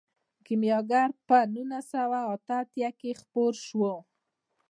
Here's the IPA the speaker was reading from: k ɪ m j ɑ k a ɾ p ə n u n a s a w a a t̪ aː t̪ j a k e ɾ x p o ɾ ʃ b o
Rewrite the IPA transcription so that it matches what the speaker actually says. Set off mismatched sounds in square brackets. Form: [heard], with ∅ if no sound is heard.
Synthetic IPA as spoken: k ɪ m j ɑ [ɡ] a ɾ p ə n u n a s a w a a t̪ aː t̪ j a k e [∅] x p o ɾ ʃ [w] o